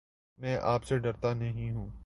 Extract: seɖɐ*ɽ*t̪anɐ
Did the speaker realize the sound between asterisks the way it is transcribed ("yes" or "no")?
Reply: no